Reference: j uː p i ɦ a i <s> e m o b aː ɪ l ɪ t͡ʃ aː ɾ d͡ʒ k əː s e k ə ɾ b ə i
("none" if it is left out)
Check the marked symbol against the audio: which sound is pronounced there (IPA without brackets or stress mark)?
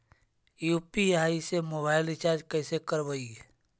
s